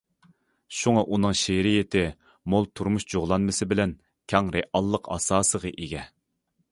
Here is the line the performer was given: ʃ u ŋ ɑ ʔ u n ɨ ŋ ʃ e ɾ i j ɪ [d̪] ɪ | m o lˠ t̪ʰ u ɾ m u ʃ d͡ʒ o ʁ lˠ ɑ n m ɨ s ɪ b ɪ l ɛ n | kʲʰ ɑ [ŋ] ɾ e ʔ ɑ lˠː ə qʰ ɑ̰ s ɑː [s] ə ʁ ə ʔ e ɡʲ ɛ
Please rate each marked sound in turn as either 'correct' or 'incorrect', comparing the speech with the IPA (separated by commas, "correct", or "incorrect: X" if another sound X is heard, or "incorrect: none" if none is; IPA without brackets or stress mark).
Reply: incorrect: t̪, correct, correct